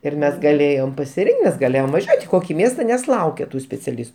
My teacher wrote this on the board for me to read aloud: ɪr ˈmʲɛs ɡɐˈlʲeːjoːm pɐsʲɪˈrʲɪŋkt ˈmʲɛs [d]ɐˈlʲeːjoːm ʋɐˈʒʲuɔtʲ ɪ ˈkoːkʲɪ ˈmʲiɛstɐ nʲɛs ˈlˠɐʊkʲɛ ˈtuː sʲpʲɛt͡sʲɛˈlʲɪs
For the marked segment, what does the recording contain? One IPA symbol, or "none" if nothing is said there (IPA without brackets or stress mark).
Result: ɡ